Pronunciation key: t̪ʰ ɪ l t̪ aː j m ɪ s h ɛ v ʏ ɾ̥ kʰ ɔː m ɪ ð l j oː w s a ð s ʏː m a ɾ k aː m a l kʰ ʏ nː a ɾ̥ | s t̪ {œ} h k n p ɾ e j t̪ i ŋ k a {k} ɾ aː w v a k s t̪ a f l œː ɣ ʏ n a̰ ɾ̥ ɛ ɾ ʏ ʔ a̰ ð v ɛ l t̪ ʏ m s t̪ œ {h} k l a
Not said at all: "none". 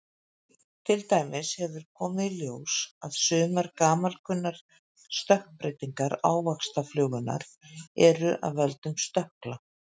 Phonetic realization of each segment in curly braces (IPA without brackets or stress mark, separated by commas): œ, none, h